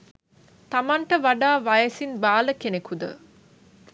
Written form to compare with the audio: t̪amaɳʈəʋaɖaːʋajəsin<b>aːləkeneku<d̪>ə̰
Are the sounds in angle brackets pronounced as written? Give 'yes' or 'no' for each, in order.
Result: yes, yes

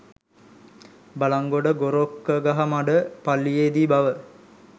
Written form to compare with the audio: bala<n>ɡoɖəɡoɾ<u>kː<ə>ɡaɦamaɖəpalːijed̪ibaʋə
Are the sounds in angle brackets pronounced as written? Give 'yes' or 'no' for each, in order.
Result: no, no, yes

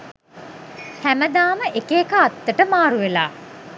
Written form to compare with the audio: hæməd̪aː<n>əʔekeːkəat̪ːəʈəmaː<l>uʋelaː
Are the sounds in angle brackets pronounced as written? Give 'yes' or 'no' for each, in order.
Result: no, no

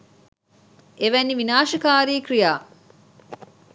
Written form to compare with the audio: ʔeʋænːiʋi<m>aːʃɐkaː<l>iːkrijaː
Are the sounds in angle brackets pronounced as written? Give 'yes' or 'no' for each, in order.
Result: no, no

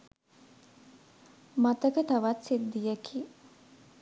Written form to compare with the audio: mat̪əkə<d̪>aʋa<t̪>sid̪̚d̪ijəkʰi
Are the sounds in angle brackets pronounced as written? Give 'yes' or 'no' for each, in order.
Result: no, yes

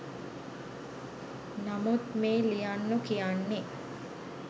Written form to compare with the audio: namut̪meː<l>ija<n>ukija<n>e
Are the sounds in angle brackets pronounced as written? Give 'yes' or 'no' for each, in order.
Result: yes, no, no

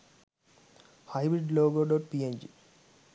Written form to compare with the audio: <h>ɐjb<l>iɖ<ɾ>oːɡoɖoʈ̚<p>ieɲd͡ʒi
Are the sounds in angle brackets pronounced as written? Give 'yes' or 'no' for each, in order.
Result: yes, no, no, yes

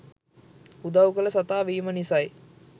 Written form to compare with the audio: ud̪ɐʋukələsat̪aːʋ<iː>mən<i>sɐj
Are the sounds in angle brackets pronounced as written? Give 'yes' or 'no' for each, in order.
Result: yes, yes

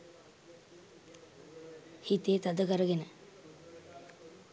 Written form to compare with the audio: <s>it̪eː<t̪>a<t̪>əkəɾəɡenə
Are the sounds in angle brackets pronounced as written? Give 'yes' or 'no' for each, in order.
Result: no, yes, no

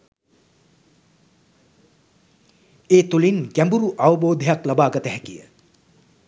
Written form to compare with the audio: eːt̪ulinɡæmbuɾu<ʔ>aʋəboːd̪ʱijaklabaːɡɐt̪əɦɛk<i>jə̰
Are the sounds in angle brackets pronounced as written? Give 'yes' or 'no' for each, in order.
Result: yes, yes

